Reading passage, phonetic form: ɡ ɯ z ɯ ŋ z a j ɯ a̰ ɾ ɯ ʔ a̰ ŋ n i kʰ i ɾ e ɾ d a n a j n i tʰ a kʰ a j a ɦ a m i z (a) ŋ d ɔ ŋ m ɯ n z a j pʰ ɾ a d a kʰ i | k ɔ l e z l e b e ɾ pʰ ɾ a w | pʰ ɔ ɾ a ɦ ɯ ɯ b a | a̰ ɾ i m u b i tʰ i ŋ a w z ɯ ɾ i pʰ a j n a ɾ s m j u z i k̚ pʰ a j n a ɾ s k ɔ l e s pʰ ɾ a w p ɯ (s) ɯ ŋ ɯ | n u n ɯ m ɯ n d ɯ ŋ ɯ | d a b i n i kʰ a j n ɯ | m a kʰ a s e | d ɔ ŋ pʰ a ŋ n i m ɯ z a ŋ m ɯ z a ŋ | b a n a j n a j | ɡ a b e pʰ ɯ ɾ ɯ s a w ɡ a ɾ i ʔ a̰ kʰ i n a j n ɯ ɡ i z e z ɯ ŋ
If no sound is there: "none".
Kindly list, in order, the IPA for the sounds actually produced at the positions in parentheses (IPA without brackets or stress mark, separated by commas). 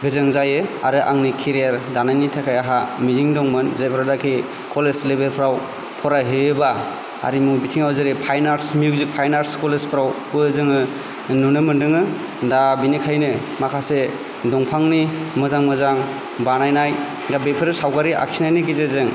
i, z